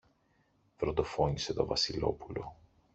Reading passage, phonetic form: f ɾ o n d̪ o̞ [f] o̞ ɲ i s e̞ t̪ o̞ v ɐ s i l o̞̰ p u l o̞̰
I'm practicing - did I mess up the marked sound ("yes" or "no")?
no